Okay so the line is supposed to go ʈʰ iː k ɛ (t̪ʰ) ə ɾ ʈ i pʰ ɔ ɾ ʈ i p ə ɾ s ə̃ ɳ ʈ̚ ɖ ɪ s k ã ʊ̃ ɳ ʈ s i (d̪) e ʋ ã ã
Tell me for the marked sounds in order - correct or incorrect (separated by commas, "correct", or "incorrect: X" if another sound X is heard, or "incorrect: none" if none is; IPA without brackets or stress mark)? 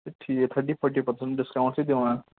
correct, correct